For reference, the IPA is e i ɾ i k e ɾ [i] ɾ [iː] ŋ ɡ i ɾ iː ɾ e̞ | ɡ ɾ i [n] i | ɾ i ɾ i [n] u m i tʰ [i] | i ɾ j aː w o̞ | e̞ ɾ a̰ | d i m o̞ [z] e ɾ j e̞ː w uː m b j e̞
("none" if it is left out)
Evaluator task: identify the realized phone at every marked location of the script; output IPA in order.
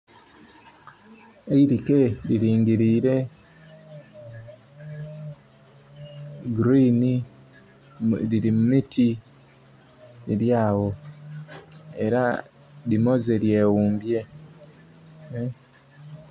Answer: i, iː, n, m, i, z

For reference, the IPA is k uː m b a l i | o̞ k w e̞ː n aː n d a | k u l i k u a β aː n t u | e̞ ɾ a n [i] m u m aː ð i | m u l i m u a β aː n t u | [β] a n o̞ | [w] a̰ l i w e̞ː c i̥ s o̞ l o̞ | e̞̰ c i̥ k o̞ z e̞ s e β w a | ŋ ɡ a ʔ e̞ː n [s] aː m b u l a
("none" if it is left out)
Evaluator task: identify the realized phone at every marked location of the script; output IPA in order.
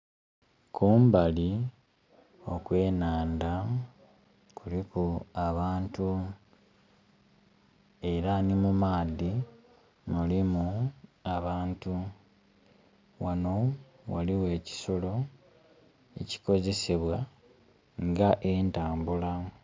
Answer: i, w, w, t

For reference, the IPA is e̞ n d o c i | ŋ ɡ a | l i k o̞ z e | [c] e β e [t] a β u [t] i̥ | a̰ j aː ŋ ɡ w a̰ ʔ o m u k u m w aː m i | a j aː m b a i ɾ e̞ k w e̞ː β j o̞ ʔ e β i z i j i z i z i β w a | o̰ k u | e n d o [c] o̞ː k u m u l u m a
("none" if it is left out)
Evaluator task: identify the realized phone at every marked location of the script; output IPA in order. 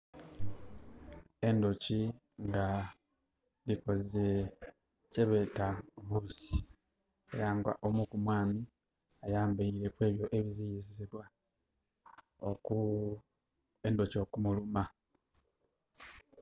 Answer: c, t, s, c

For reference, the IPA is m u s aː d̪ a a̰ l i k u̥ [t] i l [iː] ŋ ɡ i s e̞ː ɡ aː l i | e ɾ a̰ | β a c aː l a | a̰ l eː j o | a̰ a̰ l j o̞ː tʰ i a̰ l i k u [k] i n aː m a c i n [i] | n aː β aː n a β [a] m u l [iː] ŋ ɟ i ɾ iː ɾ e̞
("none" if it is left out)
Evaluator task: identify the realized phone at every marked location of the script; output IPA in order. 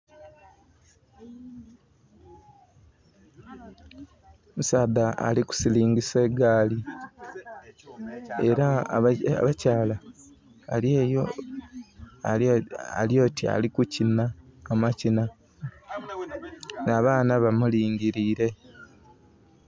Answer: s, iː, c, a, a, iː

